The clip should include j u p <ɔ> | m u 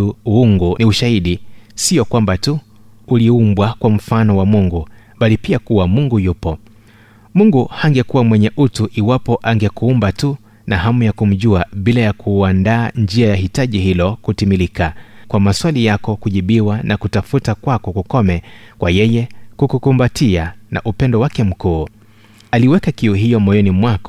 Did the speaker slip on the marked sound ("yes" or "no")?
no